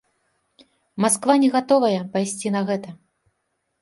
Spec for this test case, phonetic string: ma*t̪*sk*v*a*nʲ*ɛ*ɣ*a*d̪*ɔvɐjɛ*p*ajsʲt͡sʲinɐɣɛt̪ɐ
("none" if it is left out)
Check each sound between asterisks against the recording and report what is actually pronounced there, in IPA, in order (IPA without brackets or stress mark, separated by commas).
none, v, nʲ, ɣ, t̪, p